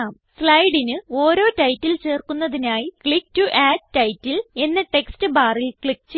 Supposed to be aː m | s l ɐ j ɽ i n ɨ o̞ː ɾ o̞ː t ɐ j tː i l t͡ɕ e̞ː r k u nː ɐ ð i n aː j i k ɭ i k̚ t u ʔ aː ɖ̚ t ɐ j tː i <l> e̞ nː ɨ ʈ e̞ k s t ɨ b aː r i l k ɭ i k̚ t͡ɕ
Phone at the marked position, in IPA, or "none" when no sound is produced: l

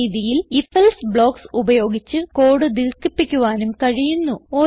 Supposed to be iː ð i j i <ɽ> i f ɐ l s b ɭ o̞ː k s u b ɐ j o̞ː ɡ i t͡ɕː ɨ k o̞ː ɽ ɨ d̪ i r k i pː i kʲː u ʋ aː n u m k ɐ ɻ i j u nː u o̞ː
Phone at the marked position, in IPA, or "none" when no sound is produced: l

